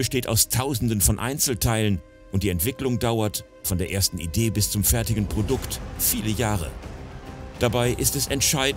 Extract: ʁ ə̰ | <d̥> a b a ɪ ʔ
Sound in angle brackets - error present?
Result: no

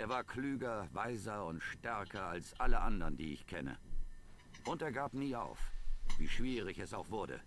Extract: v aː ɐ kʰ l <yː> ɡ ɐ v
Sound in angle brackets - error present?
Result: no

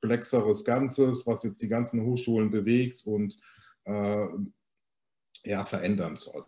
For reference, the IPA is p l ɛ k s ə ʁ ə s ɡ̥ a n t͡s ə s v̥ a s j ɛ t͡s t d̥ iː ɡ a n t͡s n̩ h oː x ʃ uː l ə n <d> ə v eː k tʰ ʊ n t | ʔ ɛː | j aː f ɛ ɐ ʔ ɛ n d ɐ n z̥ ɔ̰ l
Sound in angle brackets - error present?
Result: yes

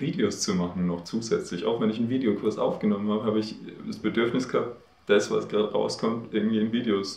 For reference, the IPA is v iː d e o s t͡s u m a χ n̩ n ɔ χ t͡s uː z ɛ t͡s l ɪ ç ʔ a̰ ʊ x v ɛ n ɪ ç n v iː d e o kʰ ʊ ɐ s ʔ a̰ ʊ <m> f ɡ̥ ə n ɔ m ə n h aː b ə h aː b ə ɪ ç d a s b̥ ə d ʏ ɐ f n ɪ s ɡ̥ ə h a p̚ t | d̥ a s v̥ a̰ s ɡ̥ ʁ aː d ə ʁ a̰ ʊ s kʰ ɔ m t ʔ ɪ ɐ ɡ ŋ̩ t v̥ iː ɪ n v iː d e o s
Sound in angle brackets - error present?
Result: yes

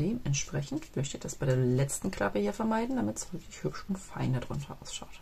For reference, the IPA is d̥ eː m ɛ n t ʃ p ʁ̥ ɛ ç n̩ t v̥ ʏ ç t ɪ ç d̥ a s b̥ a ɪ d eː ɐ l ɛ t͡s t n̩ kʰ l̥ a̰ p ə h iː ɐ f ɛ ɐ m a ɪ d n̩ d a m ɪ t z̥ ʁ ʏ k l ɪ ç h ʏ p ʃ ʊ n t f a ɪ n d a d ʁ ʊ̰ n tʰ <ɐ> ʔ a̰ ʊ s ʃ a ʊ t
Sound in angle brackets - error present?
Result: no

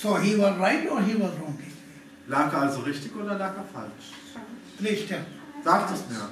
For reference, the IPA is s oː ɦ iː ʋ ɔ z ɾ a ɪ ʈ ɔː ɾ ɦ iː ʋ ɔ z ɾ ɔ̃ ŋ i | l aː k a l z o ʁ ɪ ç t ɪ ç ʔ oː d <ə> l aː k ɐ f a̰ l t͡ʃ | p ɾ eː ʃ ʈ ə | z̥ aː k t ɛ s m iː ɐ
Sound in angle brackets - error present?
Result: yes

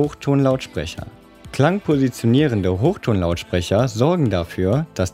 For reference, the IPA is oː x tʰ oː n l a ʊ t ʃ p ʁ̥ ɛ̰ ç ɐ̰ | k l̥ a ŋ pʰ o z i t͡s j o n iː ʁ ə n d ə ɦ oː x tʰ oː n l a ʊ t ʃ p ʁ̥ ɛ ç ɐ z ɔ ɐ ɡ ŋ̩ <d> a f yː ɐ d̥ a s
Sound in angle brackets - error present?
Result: no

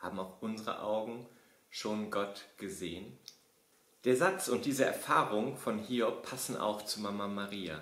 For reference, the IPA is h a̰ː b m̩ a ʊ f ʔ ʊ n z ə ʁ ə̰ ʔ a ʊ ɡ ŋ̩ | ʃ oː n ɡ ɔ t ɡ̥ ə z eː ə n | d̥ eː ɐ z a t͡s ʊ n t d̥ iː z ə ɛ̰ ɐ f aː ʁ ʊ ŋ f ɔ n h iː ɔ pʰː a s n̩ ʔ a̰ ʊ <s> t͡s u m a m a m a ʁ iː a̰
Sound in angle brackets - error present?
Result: yes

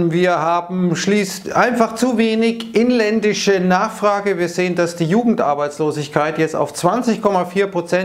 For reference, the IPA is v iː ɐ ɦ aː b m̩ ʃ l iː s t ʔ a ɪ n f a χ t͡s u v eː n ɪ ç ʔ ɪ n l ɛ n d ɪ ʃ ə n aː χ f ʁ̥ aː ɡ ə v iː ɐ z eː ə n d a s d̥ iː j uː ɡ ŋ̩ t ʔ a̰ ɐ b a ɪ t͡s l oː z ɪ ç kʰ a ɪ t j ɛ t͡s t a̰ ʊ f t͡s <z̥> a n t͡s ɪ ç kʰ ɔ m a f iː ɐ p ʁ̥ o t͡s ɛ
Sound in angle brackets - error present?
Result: yes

